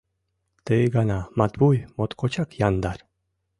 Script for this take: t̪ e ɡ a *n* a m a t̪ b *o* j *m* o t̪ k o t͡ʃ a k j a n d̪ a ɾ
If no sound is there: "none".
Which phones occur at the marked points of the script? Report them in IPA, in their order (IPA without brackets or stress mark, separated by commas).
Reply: n, u, m